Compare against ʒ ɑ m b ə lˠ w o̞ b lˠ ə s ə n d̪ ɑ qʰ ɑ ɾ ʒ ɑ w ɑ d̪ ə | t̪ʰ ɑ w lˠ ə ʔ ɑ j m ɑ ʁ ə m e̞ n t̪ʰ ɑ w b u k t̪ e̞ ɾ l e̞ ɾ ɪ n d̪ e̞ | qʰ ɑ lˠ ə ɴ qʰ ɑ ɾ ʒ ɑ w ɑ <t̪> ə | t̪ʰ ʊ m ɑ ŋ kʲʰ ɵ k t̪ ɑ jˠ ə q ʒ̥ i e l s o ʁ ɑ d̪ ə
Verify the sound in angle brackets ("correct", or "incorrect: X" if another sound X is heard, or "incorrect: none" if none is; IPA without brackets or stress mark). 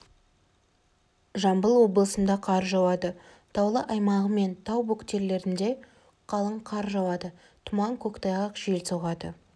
incorrect: d̪